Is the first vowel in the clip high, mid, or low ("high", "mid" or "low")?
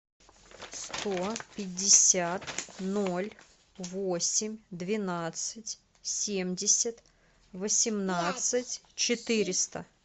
mid